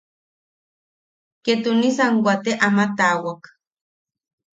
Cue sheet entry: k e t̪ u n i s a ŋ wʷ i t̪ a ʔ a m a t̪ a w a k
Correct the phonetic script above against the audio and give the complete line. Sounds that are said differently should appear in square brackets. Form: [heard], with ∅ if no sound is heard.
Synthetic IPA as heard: k e t̪ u n i s a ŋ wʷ [a] t̪ [e] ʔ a m a t̪ a w a k